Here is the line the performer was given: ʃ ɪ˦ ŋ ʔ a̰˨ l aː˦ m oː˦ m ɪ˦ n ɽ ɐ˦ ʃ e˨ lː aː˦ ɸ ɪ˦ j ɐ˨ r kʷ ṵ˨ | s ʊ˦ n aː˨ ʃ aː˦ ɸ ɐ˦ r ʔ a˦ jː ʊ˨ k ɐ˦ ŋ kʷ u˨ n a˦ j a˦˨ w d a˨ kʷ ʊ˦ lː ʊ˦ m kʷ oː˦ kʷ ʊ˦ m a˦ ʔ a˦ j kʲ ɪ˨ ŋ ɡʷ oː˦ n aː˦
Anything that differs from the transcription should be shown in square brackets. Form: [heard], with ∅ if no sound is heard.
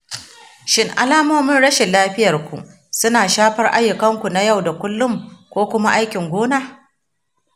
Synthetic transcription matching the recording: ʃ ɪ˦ ŋ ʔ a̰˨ l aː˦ m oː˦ m ɪ˦ n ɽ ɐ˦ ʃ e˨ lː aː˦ ɸ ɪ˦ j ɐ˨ r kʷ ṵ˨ | s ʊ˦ n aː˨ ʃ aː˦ ɸ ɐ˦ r ʔ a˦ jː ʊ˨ k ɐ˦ ŋ kʷ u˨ n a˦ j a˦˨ w d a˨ kʷ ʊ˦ lː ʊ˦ m kʷ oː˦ kʷ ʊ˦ m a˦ ʔ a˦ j kʲ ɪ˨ ŋ ɡʷ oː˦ n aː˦